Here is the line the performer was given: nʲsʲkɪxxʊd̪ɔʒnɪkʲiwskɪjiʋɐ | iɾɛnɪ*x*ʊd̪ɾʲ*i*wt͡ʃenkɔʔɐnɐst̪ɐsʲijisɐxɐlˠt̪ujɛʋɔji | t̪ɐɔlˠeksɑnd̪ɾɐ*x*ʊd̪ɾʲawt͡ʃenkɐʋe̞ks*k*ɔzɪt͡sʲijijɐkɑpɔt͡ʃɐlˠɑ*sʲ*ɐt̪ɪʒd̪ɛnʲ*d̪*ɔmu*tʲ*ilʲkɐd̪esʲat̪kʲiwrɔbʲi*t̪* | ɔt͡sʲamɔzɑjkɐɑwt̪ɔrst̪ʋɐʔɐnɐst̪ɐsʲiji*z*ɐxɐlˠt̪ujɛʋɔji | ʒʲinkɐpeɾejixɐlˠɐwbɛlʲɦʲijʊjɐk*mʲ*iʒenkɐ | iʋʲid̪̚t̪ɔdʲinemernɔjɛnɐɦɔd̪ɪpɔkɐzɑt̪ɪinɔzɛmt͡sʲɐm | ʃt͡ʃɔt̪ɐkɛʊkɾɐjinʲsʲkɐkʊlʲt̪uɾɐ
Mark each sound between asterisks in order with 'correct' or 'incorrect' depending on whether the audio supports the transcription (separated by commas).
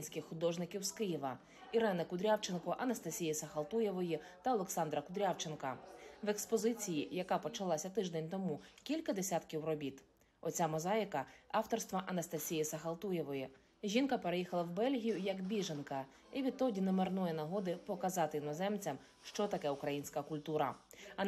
incorrect, incorrect, incorrect, incorrect, correct, incorrect, incorrect, correct, incorrect, incorrect